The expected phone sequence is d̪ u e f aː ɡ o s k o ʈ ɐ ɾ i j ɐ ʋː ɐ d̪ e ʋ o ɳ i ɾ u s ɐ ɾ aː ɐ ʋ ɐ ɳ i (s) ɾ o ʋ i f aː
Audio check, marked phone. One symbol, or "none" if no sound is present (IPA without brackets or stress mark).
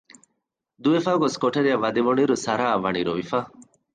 none